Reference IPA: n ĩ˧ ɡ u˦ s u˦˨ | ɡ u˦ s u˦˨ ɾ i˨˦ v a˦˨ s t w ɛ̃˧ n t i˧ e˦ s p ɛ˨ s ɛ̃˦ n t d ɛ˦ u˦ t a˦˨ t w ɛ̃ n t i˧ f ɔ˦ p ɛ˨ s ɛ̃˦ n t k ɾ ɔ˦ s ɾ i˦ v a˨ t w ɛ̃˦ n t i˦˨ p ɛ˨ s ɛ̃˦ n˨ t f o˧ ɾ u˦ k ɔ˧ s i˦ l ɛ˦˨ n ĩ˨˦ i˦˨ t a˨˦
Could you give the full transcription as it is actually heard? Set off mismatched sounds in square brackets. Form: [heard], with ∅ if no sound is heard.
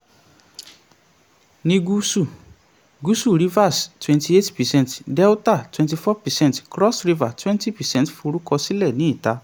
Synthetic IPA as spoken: n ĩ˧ ɡ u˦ s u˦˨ | ɡ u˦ s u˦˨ ɾ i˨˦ v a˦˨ s t w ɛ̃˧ n t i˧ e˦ [t] p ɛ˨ s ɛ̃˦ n t d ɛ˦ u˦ t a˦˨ t w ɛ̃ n t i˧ f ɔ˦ p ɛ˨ s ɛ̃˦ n t k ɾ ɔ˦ s ɾ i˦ v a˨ t w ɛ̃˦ n t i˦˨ p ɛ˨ s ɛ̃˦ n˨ t f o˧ ɾ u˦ k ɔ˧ s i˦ l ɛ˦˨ n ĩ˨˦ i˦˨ t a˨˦